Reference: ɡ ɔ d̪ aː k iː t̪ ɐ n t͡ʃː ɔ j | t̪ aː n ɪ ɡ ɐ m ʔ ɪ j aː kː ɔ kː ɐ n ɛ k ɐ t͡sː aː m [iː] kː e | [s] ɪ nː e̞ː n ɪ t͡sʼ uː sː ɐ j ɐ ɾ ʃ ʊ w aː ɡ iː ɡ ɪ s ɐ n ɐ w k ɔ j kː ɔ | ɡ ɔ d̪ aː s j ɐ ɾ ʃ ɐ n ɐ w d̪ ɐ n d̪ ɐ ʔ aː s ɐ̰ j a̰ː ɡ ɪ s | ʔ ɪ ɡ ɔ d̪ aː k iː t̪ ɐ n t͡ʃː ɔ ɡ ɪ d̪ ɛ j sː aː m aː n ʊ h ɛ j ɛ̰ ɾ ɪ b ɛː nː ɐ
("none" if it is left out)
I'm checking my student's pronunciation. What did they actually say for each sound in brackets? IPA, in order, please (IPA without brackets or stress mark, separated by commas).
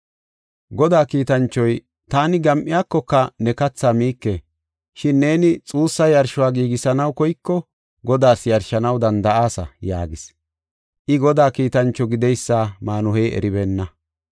iː, ʃ